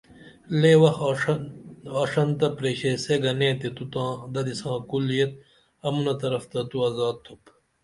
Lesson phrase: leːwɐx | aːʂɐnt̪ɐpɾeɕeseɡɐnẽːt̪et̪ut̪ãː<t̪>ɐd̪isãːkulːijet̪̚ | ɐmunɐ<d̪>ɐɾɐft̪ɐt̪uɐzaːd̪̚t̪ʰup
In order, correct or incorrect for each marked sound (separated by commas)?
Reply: incorrect, incorrect